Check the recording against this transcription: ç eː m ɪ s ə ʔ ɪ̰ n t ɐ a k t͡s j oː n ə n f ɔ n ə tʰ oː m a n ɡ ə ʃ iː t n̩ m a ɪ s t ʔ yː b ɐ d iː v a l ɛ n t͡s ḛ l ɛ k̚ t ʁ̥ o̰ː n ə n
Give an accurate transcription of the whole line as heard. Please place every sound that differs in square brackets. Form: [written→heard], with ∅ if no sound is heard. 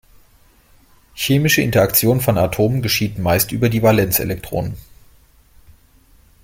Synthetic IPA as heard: ç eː m ɪ [s→ʃ] ə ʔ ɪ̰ n t ɐ a k t͡s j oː n ə n f ɔ n [ə→a] tʰ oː m [a→ə] n ɡ ə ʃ iː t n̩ m a ɪ s t ʔ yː b ɐ d iː v a l ɛ n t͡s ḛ l ɛ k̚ t ʁ̥ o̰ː n ə n